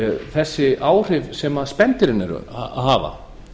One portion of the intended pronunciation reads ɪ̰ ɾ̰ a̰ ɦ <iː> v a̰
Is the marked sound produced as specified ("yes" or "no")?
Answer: no